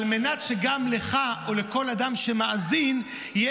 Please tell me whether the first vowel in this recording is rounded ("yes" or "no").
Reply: no